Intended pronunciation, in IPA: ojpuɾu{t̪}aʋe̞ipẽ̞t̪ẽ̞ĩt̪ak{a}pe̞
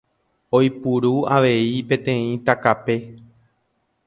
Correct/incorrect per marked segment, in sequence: incorrect: none, correct

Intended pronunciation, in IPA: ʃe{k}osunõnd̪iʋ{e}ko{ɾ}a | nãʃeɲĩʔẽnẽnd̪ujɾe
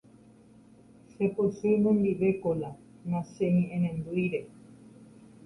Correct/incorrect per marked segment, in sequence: incorrect: p, correct, incorrect: l

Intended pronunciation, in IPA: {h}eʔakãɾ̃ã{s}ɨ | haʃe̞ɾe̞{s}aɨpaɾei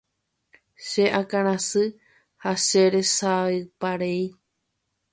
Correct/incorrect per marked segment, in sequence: incorrect: ʃ, correct, correct

